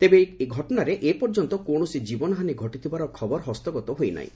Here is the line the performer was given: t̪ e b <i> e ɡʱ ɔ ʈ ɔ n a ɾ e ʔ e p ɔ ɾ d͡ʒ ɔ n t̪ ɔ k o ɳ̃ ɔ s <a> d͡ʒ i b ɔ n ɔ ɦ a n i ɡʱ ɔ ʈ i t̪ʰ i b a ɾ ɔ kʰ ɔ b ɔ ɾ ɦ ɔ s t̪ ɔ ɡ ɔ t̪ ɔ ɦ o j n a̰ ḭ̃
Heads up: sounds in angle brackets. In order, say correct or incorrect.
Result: incorrect, incorrect

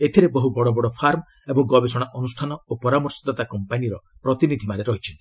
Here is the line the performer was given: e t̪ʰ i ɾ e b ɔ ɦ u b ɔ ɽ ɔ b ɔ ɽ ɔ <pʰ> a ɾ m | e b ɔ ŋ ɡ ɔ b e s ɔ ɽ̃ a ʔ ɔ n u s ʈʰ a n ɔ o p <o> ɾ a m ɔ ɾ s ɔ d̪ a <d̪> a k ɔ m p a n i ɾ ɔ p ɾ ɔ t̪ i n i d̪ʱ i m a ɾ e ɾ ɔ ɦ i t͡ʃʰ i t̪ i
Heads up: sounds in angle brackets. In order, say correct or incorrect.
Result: correct, incorrect, incorrect

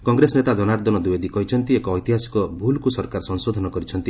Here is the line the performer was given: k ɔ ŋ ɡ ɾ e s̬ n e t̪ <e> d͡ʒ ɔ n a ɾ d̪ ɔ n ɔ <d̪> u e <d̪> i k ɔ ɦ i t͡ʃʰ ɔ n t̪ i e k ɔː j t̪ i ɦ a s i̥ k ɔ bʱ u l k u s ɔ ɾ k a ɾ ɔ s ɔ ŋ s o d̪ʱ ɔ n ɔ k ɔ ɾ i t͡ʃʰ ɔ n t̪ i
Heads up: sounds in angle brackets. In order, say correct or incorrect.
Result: incorrect, correct, correct

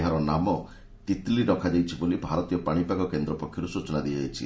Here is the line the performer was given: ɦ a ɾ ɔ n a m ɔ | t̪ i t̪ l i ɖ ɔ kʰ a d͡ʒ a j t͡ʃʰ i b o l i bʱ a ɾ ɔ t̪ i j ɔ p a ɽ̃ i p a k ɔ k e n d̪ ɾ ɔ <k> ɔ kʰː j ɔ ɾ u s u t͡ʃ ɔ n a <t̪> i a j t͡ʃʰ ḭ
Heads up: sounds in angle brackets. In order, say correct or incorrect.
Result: incorrect, incorrect

